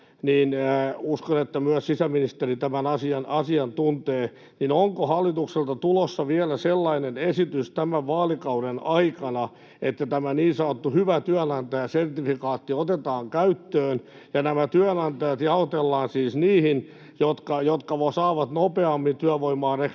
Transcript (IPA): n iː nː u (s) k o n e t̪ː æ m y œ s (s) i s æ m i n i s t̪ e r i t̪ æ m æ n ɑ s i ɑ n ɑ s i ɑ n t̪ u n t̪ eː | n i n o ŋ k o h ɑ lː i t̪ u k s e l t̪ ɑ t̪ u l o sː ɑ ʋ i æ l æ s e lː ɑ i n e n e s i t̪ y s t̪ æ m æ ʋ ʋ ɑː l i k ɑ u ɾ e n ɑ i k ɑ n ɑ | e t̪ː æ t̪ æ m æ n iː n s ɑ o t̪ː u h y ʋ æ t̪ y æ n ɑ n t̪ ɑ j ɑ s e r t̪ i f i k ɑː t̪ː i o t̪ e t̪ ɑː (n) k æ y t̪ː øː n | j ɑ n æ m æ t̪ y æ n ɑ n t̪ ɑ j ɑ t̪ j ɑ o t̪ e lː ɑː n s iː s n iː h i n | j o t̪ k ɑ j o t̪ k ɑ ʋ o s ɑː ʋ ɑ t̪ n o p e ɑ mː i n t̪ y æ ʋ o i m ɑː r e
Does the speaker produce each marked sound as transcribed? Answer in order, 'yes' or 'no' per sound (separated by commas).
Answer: yes, yes, no